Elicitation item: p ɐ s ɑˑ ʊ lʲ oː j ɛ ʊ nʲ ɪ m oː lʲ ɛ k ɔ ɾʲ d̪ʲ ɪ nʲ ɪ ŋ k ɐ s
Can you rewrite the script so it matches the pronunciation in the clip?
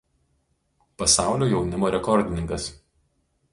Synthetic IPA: p ɐ s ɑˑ ʊ lʲ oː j ɛ ʊ nʲ ɪ m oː ɾʲ ɛ k ɔ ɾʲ d̪ʲ ɪ nʲ ɪ ŋ k ɐ s

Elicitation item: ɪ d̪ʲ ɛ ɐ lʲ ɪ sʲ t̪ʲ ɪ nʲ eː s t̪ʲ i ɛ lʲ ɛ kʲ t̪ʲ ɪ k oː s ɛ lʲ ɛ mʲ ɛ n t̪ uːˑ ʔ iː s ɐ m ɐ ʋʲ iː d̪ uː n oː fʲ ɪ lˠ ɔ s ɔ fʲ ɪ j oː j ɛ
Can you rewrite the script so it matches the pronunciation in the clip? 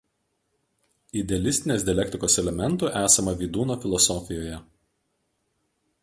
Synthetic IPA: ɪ d̪ʲ ɛ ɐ lʲ ɪ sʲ t̪ʲ ɪ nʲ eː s d̪ʲ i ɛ lʲ ɛ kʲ t̪ʲ ɪ k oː s ɛ lʲ ɛ mʲ ɛ n t̪ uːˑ ʔ æː s ɐ m ɐ ʋʲ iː d̪ uː n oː fʲ ɪ lˠ ɔ s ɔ fʲ ɪ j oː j ɛ

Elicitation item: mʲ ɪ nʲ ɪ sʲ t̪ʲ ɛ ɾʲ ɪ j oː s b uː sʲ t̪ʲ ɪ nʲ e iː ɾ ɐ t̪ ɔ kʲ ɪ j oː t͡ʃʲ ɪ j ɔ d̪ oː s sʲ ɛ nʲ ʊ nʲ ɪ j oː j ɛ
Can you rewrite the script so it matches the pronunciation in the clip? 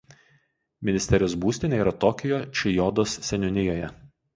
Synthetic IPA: mʲ ɪ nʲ ɪ sʲ t̪ʲ ɛ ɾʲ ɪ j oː s b uː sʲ t̪ʲ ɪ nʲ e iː ɾ ɐ t̪ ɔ kʲ ɪ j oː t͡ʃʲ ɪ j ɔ d̪ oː s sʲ ɛ nʲ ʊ nʲ ɪ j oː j ɛ

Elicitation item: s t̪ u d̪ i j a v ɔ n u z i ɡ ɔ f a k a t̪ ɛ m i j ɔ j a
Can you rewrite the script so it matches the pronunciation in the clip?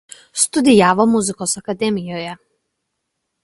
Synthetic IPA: s t̪ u d̪ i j a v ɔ m u z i k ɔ s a k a d̪ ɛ m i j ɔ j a

